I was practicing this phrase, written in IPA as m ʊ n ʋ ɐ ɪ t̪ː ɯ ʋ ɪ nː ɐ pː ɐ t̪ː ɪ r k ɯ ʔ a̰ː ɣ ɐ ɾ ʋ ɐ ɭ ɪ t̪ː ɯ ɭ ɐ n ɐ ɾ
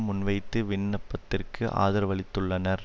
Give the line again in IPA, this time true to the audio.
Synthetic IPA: m ʊ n ʋ ɐ ɪ t̪ː ɯ ʋ ɪ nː ɐ pː ɐ t̪ː ɪ r k ɯ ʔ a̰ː ð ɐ ɾ ʋ ɐ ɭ ɪ t̪ː ɯ ɭː ɐ n ɐ ɾ